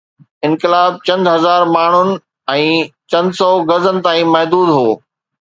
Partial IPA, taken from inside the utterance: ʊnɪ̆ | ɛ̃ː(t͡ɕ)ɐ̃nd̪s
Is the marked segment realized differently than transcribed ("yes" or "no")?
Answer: no